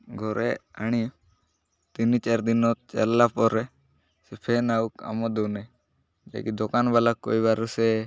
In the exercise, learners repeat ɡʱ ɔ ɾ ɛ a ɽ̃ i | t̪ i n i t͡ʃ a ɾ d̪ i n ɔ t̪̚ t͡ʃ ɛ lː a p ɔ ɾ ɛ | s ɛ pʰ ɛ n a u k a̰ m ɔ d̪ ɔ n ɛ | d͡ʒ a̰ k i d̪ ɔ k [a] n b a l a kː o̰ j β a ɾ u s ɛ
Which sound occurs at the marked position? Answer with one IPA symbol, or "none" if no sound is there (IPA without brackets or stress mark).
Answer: a